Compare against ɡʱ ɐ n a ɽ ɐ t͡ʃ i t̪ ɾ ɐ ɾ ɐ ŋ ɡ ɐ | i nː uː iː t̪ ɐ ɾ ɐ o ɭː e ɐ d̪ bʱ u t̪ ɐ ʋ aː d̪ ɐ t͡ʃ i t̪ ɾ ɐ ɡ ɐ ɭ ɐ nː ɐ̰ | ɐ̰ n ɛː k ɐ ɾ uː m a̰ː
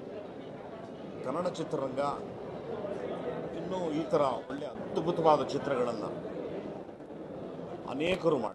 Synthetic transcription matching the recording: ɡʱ ɐ n ɐ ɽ ɐ t͡ʃ i t̪ ɾ ɐ ɾ ɐ ŋ ɡ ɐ | i nː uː iː t̪ ɐ ɾ ɐ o ɭː e ɐ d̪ bʱ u t̪ ɐ ʋ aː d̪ ɐ t͡ʃ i t̪ ɾ ɐ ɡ ɐ ɭ ɐ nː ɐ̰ | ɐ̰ n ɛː k ɐ ɾ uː m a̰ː